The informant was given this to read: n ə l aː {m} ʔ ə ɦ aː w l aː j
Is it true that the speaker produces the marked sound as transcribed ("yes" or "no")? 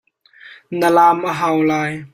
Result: yes